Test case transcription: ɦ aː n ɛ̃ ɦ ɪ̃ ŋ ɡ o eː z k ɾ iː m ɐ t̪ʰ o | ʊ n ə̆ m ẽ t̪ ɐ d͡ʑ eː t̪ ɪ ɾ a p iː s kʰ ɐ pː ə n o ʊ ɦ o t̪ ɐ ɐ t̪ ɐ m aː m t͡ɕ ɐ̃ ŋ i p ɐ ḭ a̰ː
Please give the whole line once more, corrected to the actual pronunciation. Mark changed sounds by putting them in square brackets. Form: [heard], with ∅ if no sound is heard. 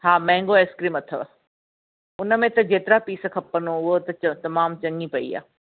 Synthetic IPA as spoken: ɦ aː [m] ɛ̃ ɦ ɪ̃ ŋ ɡ o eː [s] k ɾ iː m ɐ t̪ʰ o | ʊ n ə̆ m ẽ t̪ ɐ d͡ʑ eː t̪ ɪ ɾ a p iː s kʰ ɐ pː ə n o ʊ ɦ o t̪ ɐ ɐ t̪ ɐ m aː m t͡ɕ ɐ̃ ŋ i p ɐ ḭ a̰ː